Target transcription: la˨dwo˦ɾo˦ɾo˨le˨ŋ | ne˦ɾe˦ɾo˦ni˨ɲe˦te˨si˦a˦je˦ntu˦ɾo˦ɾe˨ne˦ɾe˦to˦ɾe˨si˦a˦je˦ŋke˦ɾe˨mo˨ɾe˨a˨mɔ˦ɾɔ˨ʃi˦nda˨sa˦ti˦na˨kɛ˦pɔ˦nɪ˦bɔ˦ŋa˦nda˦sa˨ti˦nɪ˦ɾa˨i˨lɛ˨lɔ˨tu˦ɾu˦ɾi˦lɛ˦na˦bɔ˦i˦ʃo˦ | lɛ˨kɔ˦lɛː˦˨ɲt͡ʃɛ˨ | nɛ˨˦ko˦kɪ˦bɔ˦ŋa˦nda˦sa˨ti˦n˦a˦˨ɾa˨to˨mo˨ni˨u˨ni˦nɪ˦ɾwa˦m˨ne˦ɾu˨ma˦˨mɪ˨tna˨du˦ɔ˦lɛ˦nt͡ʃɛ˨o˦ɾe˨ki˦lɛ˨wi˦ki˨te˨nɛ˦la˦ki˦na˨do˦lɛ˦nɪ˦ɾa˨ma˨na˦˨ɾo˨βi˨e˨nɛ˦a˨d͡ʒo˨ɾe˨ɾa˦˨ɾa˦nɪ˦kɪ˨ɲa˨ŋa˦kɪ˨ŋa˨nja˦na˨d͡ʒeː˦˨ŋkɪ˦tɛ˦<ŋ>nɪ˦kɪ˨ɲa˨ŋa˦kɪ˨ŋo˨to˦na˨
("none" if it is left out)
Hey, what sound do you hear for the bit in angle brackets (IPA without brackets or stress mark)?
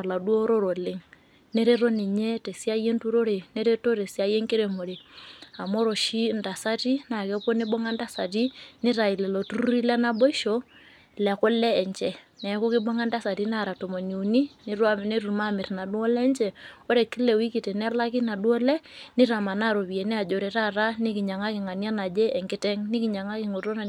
ŋ